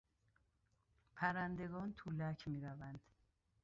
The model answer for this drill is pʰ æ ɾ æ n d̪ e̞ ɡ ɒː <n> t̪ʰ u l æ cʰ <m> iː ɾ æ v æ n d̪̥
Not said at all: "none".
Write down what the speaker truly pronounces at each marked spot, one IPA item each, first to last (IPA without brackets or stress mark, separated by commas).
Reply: n, m